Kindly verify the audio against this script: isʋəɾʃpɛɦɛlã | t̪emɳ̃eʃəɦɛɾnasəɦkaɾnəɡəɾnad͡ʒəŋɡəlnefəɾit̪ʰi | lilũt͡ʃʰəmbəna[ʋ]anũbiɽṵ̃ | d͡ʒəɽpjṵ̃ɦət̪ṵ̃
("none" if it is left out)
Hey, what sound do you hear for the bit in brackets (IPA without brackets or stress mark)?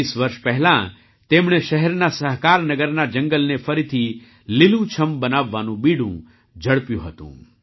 ʋː